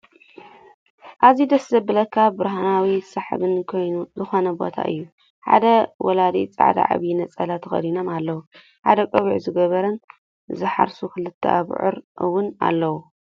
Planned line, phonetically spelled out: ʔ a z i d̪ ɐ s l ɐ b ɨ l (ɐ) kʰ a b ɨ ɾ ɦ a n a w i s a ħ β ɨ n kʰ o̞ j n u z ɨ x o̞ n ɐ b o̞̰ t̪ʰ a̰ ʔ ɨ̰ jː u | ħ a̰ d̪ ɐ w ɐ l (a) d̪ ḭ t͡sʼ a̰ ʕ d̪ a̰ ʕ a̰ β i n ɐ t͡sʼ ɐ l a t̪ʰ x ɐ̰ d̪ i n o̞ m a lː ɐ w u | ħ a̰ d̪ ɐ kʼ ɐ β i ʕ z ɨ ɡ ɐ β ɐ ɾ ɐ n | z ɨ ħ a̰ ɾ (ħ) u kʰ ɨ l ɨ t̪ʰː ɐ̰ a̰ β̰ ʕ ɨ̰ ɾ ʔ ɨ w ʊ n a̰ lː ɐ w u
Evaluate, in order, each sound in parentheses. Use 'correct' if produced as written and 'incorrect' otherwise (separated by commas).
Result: correct, correct, incorrect